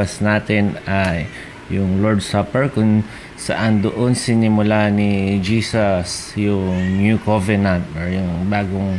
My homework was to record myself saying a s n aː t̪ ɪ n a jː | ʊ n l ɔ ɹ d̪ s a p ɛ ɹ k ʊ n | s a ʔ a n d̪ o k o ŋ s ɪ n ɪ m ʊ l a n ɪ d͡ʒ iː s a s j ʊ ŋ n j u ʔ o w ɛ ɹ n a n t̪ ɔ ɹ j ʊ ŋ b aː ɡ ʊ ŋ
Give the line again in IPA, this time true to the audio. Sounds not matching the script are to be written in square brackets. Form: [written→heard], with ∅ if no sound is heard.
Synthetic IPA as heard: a s n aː t̪ ɪ n a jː | ʊ [n→ŋ] l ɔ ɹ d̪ s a p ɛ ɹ k ʊ n | s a ʔ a n d̪ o [k→ʔ] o [ŋ→n] s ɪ n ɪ m ʊ l a n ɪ d͡ʒ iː s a s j ʊ ŋ n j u [ʔ→k] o [w→v] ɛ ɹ n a n t̪ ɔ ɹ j ʊ ŋ b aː ɡ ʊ ŋ